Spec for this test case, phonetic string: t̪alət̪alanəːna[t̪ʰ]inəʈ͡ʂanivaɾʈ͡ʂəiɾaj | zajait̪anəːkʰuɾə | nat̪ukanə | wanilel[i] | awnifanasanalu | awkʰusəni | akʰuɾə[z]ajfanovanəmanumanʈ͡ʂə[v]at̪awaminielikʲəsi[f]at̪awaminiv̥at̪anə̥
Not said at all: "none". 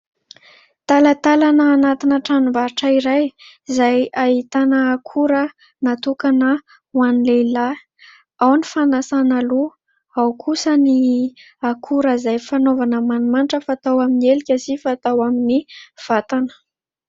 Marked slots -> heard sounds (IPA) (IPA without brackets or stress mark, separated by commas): t̪, a, z, f, f